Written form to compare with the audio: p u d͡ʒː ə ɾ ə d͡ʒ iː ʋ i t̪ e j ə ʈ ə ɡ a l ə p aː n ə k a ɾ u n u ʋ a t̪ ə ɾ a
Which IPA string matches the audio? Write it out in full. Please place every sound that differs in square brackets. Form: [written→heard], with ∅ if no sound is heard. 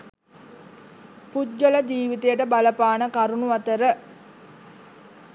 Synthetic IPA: p u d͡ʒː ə [ɾ→l] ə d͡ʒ iː ʋ i t̪ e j ə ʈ ə [ɡ→b] a l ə p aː n ə k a ɾ u n u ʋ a t̪ ə ɾ [a→ə]